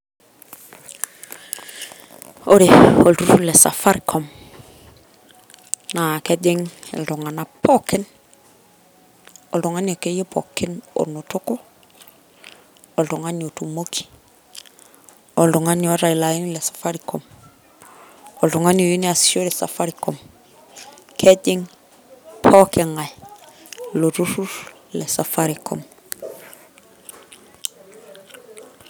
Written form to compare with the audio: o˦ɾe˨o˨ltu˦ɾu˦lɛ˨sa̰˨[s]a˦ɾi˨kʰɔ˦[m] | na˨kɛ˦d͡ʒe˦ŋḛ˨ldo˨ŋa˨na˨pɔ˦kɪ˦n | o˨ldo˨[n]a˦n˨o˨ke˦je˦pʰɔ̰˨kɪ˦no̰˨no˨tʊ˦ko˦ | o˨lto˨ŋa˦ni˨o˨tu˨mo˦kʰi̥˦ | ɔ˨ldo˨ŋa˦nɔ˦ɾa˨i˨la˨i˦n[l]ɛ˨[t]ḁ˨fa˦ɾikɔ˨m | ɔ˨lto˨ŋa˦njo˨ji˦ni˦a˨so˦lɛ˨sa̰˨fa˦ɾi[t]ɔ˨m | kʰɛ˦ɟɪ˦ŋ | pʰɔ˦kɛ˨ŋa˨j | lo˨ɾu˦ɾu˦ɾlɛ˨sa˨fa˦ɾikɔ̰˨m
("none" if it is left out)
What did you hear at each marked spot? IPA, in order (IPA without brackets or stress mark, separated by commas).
f, m, ŋ, l, s, k